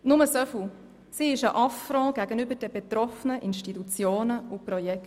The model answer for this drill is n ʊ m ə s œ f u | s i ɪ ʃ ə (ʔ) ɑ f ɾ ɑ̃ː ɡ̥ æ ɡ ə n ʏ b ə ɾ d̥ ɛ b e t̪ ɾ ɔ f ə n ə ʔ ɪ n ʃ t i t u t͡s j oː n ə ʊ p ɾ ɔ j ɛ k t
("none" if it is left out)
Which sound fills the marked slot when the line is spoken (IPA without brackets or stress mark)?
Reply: ʔ